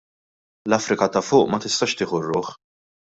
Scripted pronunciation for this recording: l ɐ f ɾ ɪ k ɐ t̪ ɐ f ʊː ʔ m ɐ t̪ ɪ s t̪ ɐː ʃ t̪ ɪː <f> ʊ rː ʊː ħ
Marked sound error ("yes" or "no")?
yes